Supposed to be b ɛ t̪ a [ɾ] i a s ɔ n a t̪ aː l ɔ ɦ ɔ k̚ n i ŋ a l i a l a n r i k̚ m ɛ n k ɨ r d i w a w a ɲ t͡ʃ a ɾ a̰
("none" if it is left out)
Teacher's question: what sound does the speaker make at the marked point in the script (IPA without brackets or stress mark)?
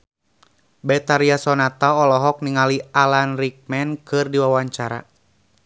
ɾ